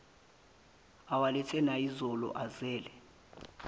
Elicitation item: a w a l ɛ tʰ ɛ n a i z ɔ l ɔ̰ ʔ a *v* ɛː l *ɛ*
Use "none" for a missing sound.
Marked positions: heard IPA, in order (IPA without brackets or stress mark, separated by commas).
z, ɛ